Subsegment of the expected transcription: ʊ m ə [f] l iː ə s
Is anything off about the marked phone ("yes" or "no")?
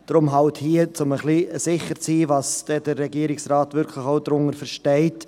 yes